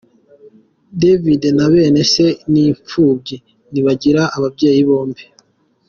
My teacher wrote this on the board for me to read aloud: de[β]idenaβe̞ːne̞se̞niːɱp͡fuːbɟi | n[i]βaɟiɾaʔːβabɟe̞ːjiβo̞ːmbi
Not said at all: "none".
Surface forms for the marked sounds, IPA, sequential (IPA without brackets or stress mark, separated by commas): v, i